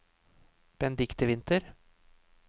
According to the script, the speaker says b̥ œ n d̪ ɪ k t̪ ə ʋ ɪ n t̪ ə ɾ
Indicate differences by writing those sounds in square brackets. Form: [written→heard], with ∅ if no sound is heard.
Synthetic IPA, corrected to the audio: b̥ [œ→ɛ] n d̪ ɪ k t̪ ə ʋ ɪ n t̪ ə ɾ